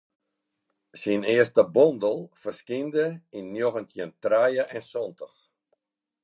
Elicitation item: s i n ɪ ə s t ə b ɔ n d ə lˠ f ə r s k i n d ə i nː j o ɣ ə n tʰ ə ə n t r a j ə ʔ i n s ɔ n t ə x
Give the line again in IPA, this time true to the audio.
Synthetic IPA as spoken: s i n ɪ ə s t ə b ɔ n d ə lˠ f ə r s k i n d ə i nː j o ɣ ə n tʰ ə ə n t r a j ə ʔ ɛ n s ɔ n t ə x